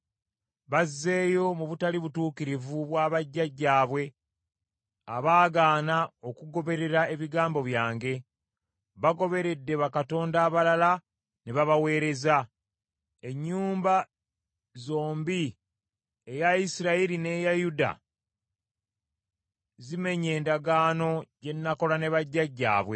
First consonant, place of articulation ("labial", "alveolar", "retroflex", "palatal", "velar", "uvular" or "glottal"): labial